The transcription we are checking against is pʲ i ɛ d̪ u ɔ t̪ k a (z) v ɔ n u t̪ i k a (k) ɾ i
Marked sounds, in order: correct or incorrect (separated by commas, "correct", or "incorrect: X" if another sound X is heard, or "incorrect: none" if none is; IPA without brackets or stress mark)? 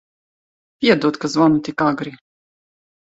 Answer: correct, incorrect: ɡ